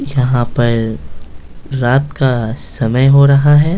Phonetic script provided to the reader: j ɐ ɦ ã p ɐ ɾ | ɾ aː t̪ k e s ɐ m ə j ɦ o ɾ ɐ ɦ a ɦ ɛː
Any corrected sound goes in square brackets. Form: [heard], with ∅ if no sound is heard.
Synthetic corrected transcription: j ɐ ɦ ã p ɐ ɾ | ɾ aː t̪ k [a] s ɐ m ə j ɦ o ɾ ɐ ɦ a ɦ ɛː